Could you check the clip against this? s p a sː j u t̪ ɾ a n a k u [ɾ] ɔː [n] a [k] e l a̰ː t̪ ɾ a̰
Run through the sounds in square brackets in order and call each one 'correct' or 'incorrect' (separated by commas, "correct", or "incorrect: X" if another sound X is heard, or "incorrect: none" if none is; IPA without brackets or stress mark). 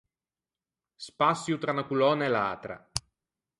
incorrect: l, correct, incorrect: none